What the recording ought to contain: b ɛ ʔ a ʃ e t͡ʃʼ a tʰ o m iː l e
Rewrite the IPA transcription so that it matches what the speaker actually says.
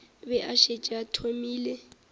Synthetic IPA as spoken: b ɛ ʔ a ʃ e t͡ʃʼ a tʰ o m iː l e